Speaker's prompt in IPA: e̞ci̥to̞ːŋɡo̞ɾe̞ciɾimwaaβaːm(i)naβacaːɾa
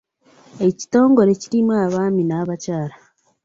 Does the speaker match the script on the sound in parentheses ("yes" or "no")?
yes